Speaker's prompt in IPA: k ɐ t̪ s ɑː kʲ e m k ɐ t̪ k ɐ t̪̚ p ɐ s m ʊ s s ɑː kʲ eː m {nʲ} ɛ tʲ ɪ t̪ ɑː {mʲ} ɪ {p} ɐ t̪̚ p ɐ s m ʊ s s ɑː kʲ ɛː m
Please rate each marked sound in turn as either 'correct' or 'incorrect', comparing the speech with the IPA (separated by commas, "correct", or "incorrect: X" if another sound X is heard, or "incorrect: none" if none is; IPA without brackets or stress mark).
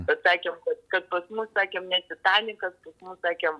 correct, incorrect: nʲ, incorrect: k